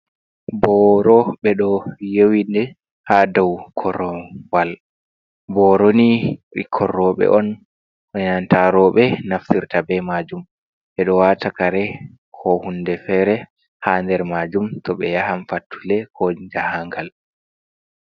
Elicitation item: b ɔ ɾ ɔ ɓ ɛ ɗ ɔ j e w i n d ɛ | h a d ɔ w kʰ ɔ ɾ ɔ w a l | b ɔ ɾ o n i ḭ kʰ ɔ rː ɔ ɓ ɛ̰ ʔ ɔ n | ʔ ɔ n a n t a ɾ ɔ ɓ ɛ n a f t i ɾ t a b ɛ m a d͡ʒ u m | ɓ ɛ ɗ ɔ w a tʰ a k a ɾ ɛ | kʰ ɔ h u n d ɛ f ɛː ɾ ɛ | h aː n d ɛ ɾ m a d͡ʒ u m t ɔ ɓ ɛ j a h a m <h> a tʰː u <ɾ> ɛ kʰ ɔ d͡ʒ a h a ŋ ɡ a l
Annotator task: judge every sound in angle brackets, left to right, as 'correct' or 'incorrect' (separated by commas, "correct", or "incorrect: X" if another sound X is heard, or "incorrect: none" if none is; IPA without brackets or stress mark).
incorrect: f, incorrect: l